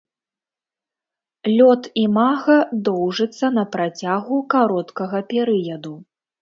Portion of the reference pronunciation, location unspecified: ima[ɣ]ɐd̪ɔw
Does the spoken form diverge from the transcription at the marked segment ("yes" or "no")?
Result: no